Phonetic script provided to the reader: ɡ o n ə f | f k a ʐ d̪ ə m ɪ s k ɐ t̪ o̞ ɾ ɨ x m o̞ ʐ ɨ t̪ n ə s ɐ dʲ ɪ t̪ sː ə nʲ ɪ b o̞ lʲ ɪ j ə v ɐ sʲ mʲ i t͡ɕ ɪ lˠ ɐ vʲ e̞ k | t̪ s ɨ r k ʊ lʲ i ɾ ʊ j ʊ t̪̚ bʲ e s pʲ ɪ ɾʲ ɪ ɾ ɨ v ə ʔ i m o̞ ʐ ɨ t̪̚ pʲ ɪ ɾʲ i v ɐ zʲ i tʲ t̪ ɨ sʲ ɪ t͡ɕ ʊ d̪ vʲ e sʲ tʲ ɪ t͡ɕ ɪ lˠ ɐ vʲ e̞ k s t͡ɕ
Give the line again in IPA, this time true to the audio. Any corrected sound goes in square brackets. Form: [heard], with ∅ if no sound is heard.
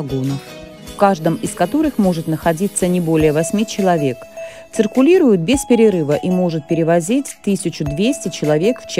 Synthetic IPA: ɡ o n ə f | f k a ʐ d̪ ə m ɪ s k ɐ t̪ o̞ ɾ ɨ x m o̞ ʐ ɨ t̪ n ə [x] ɐ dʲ [i] t̪ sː ə nʲ ɪ b o̞ lʲ ɪ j ə v ɐ sʲ mʲ i t͡ɕ ɪ lˠ ɐ vʲ e̞ k | t̪ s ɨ r k ʊ lʲ i ɾ ʊ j ʊ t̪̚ bʲ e s pʲ ɪ ɾʲ ɪ ɾ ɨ v ə ʔ i m o̞ ʐ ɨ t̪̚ pʲ ɪ ɾʲ [ɪ] v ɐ zʲ i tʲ t̪ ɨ sʲ ɪ t͡ɕ ʊ d̪ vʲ e sʲ tʲ ɪ t͡ɕ ɪ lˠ ɐ vʲ e̞ k [f] t͡ɕ